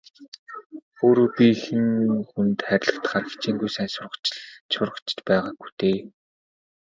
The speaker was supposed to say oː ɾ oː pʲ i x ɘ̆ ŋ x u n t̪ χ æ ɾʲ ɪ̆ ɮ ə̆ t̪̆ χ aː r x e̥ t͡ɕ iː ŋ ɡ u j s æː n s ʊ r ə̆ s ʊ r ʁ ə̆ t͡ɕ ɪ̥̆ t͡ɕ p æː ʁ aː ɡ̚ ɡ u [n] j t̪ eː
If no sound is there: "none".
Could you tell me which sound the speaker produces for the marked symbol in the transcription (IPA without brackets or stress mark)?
none